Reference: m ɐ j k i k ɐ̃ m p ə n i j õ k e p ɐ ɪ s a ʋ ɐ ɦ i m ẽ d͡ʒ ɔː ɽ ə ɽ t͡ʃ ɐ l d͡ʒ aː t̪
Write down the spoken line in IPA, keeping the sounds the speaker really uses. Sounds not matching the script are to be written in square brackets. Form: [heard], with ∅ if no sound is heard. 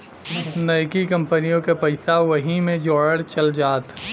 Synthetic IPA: [n] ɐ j k i k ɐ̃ m p ə n i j õ k e p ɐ ɪ s a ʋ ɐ ɦ i m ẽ d͡ʒ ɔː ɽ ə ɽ t͡ʃ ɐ l d͡ʒ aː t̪

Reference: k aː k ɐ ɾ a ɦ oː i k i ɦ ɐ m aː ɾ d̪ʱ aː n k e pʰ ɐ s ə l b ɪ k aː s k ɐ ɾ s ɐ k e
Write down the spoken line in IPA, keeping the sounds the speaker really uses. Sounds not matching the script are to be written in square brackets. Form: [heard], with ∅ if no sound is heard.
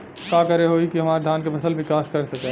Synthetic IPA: k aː k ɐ ɾ [e] ɦ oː i k i ɦ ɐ m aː ɾ d̪ʱ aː n k e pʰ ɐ s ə l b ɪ k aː s k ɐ ɾ s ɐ k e

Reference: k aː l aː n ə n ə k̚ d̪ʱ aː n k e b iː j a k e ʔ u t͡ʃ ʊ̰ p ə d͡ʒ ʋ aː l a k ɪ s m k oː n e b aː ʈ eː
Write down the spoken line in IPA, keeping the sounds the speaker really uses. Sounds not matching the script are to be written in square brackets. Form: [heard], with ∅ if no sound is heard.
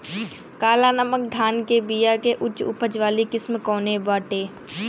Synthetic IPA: k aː l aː n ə [m] ə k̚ d̪ʱ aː n k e b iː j a k e ʔ [ʊ] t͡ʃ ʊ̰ p ə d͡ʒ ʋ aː l [i] k ɪ s m k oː n e b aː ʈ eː

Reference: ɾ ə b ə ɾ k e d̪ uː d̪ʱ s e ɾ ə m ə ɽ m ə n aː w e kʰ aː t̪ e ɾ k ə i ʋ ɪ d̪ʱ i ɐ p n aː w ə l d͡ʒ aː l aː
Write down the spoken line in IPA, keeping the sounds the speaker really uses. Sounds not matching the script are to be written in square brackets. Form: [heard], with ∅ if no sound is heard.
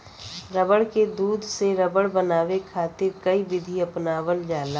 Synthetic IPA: ɾ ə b ə [ɽ] k e d̪ uː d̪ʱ s e ɾ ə [b] ə ɽ [b] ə n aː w e kʰ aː t̪ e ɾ k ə i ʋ ɪ d̪ʱ i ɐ p n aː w ə l d͡ʒ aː l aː

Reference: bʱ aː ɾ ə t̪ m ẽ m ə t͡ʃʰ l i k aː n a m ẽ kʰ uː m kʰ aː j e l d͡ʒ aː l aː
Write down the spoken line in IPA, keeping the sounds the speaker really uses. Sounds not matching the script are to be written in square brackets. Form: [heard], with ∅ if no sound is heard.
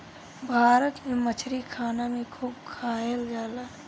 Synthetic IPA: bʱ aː ɾ ə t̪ m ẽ m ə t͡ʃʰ [ɾ] i [kʰ] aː n a m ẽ kʰ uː [b] kʰ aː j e l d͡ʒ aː l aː

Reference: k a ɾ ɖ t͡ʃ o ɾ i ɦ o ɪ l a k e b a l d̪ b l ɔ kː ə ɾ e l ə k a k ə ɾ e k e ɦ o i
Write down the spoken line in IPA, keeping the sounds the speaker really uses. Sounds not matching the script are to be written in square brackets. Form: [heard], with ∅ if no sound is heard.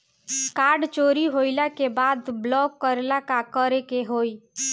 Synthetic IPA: k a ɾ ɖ t͡ʃ o ɾ i ɦ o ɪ l a k e b a [∅] d̪ b l ɔ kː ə ɾ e l [a] k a k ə ɾ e k e ɦ o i

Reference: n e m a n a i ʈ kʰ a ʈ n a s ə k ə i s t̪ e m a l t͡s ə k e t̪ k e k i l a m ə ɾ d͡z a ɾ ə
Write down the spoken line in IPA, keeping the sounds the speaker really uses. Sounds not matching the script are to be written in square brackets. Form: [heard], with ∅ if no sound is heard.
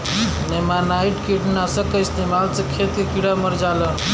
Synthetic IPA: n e m a n a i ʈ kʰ [i] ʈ n a s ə k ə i s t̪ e m a l t͡s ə [kʰ] e t̪ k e k i [ɽ] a m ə ɾ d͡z a [l] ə

